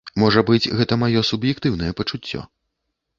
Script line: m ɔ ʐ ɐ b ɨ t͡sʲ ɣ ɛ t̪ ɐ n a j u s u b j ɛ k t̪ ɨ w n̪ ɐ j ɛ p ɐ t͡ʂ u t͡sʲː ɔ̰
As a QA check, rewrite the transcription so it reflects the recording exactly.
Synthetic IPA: m ɔ ʐ ɐ b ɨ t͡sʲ ɣ ɛ t̪ ɐ m a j ɔ s u b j ɛ k t̪ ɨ w n̪ ɐ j ɛ p ɐ t͡ʂ u t͡sʲː ɔ̰